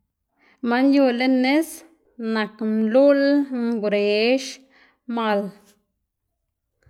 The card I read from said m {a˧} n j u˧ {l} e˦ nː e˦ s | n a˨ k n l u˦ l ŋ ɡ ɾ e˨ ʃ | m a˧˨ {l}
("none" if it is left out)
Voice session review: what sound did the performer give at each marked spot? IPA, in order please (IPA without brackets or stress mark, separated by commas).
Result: a˧, l, l